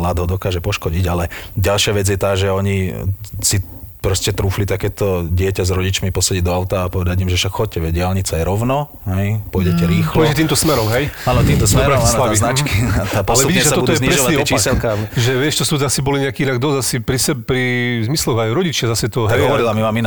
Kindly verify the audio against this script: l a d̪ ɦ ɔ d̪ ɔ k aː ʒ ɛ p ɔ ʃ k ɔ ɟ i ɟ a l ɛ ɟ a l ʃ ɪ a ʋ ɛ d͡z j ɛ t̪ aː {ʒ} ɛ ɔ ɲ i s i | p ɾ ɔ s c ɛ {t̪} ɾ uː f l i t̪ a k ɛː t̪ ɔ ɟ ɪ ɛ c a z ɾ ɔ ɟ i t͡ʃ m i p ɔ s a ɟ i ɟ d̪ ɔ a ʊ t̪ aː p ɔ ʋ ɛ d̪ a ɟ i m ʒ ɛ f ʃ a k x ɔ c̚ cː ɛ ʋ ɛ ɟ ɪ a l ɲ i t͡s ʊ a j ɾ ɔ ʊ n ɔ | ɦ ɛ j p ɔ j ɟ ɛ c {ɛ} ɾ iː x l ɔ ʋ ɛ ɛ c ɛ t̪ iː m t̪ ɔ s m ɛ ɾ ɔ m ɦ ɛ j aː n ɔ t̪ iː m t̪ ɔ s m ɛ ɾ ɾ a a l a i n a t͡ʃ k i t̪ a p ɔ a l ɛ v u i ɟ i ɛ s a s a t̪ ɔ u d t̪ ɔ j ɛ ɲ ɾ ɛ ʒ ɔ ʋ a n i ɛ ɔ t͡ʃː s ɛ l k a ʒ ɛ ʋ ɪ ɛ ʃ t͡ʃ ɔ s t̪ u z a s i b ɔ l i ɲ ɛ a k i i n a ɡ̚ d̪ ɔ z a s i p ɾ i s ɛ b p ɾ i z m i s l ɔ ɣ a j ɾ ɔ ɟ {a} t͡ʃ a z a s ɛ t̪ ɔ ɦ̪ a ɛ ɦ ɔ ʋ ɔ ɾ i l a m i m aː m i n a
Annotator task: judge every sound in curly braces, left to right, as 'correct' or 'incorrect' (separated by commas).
correct, correct, correct, incorrect